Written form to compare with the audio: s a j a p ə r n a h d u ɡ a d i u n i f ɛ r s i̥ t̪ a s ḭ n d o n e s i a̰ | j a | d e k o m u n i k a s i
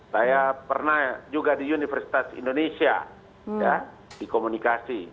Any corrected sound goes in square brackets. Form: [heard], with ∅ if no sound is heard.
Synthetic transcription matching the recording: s a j a p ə r n a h [d͡ʒ] u ɡ a d i u n i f ɛ r s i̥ t̪ a s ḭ n d o n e s i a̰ | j a | d [i] k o m u n i k a s i